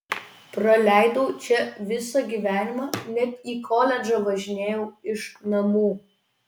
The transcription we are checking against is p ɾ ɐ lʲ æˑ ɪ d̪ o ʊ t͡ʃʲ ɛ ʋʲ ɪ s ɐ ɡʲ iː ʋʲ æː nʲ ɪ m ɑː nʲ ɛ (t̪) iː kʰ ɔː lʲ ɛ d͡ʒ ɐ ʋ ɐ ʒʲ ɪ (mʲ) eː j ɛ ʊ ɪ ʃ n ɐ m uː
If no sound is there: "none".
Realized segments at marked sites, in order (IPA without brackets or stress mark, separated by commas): t̪, nʲ